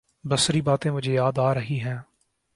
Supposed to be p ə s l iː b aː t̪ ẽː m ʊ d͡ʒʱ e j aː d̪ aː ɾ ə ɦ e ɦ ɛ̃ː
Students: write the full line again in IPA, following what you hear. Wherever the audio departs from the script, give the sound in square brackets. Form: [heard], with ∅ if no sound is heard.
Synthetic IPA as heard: [b] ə s [ɾ] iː b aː t̪ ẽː m ʊ d͡ʒʱ e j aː d̪ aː ɾ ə ɦ [i] ɦ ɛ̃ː